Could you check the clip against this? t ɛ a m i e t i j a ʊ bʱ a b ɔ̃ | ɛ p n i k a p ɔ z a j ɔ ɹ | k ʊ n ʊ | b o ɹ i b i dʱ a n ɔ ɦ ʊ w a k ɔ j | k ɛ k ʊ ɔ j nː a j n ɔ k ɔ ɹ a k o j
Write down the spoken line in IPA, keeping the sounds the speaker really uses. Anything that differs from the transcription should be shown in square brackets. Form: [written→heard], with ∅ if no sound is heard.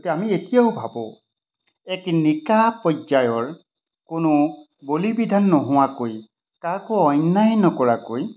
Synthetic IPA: t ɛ a m i e t i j a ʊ bʱ a b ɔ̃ | ɛ [p→k] n i k a p ɔ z a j ɔ ɹ | k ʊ n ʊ | b o [ɹ→l] i b i dʱ a [n→nː] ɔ ɦ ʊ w a k [ɔ→o] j | k [ɛ→a] k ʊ ɔ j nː a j n ɔ k ɔ ɹ a k o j